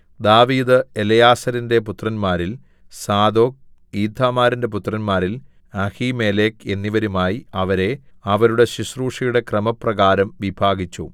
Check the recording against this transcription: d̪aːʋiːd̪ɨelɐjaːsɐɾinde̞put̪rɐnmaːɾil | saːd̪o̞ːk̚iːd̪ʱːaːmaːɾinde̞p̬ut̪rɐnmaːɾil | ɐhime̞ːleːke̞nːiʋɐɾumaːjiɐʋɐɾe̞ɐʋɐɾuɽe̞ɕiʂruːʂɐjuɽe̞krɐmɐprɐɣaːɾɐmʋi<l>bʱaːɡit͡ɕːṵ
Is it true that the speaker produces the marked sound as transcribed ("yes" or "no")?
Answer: no